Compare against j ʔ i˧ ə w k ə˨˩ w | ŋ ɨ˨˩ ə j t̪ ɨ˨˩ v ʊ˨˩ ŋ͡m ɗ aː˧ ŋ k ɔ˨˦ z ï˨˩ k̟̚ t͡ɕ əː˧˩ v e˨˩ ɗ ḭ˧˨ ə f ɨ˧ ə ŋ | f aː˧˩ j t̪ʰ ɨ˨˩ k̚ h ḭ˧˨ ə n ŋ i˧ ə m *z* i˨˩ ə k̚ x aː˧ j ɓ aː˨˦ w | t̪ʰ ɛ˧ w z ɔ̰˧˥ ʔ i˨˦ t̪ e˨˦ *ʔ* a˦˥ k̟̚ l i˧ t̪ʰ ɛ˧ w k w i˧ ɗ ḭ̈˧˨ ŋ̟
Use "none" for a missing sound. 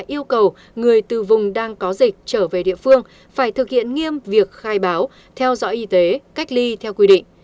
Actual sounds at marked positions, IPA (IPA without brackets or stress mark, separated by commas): v, k